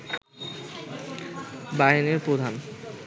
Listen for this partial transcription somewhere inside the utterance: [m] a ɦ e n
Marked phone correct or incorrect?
incorrect